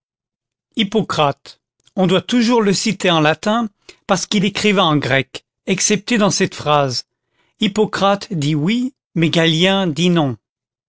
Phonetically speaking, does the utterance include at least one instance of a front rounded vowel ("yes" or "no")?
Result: no